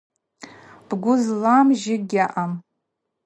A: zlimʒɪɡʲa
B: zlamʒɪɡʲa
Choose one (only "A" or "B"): B